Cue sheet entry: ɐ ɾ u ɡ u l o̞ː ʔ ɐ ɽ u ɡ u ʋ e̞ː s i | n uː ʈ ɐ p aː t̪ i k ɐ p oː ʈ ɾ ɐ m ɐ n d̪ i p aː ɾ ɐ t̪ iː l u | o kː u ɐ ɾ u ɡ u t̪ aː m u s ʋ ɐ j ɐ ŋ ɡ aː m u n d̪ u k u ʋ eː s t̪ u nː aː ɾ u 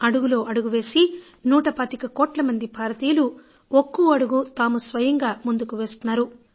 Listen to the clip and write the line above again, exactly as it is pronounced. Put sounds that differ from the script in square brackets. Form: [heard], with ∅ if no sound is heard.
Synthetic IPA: ɐ [ɽ] u ɡ u l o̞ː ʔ ɐ ɽ u ɡ u ʋ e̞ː s i | n uː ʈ ɐ p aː t̪ i k ɐ [k] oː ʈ [l] ɐ m ɐ n d̪ i p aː ɾ ɐ t̪ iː l u | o kː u ɐ [ɽ] u ɡ u t̪ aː m u s ʋ ɐ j ɐ ŋ ɡ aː m u n d̪ u k u ʋ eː s t̪ u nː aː ɾ u

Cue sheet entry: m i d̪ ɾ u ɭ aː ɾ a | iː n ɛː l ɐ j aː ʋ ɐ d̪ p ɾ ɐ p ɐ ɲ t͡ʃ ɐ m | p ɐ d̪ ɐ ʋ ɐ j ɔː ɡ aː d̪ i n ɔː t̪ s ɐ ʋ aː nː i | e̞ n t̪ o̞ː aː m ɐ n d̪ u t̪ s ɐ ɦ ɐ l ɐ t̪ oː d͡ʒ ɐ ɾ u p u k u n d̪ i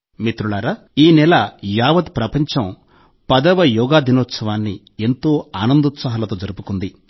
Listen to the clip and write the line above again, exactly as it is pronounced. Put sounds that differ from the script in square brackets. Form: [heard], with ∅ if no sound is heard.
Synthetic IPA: m i [t̪] ɾ u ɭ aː ɾ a | iː n [ɛ] l ɐ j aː ʋ ɐ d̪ p ɾ ɐ p ɐ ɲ t͡ʃ ɐ m | p ɐ d̪ ɐ ʋ ɐ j ɔː ɡ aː d̪ i n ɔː t̪ s ɐ ʋ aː nː i | e̞ n t̪ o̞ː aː [n] ɐ n d̪ u t̪ s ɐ ɦ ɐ l ɐ t̪ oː d͡ʒ ɐ ɾ u p u k u n d̪ i

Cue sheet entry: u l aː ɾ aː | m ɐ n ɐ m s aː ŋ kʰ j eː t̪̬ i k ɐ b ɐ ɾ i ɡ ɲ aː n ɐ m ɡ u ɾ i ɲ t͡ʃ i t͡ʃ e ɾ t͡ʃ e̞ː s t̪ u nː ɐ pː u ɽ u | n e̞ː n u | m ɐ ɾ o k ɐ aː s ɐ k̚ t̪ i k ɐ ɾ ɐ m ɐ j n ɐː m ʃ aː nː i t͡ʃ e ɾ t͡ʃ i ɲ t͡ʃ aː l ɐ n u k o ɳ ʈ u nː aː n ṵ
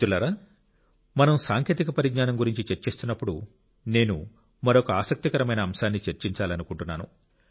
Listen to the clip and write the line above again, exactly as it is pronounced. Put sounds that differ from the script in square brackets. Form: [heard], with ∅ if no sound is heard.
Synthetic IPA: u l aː ɾ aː | m ɐ n ɐ m s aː ŋ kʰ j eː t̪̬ i k ɐ [p] ɐ ɾ i ɡ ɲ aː n ɐ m ɡ u ɾ i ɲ t͡ʃ i t͡ʃ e ɾ t͡ʃ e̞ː s t̪ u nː ɐ pː u ɽ u | n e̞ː n u | m ɐ ɾ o k ɐ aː s ɐ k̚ t̪ i k ɐ ɾ ɐ m ɐ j n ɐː m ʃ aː nː i t͡ʃ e ɾ t͡ʃ i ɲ t͡ʃ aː l ɐ n u k [u] ɳ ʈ u nː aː n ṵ

